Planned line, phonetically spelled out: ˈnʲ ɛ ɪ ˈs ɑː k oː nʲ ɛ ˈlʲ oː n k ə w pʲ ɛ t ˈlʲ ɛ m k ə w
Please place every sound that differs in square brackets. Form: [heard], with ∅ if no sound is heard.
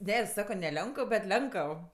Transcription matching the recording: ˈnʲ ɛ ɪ ˈs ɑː k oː nʲ ɛ ˈlʲ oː [ŋ] k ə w [bʲ] ɛ t ˈlʲ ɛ [ŋ] k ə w